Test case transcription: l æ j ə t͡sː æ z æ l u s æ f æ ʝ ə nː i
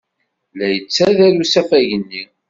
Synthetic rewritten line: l æ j ə t͡sː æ ð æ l u s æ f æ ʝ ə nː i